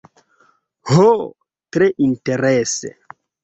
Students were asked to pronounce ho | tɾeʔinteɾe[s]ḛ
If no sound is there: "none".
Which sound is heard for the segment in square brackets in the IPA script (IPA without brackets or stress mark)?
s